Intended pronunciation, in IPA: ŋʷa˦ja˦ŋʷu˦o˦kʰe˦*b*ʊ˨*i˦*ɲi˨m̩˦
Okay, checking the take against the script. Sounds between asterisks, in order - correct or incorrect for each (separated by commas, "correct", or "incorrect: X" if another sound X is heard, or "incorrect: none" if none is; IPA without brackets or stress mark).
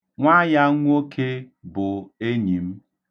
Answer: correct, incorrect: e˦